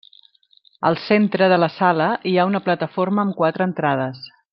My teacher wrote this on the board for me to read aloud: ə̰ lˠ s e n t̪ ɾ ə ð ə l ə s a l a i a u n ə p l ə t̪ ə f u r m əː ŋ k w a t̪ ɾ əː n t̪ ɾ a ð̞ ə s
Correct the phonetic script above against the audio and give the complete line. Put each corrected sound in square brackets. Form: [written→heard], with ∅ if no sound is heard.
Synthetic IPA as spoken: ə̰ lˠ s e n t̪ ɾ ə ð ə l ə s a l [a→ə] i a u n ə p l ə t̪ ə f [u→o] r m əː [ŋ→m] k w a t̪ ɾ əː n t̪ ɾ a ð̞ ə s